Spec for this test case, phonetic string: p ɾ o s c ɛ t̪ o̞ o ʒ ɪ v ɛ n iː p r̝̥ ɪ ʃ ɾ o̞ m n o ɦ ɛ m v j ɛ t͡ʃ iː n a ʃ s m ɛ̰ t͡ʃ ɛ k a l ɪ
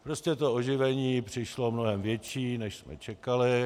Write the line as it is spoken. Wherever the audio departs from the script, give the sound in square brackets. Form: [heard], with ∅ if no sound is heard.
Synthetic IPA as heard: p ɾ o s c ɛ t̪ o̞ o ʒ ɪ v ɛ [ɲ] iː p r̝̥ ɪ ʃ [l] o̞ m n o ɦ ɛ m v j ɛ t͡ʃ iː n [ɛ] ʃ s m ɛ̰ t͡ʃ ɛ k a l ɪ